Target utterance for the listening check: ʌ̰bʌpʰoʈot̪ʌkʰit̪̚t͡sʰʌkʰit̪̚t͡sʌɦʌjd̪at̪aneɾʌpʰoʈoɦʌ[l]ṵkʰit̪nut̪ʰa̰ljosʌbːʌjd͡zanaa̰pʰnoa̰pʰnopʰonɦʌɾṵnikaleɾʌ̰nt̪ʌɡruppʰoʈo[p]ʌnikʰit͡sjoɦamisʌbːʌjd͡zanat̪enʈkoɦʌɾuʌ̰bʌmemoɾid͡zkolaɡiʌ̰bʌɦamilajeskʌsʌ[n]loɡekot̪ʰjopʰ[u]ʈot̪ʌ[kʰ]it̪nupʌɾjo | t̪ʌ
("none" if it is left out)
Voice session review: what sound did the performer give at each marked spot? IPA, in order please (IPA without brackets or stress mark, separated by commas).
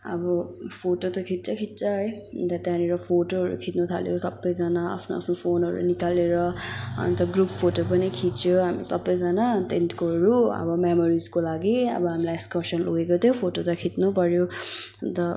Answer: ɾ, p, n, o, kʰ